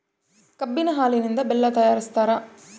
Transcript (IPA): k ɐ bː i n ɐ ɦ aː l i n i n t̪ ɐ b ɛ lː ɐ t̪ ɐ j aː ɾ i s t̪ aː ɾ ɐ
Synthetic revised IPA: k ɐ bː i n ɐ ɦ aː l i n i n d̪ ɐ b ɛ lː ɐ t̪ ɐ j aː ɾ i s t̪ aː ɾ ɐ